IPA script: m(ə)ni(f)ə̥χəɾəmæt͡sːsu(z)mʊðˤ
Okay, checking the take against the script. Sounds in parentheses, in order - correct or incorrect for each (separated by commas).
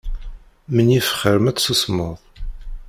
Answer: correct, correct, incorrect